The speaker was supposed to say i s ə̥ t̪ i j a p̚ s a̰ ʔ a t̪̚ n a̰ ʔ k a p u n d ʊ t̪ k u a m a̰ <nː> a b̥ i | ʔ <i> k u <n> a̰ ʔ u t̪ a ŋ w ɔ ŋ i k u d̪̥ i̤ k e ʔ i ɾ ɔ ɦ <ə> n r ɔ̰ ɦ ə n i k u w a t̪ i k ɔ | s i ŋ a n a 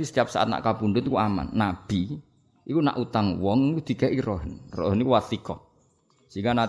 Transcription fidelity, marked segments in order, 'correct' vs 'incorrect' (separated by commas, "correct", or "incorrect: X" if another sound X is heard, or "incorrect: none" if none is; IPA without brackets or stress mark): correct, correct, correct, correct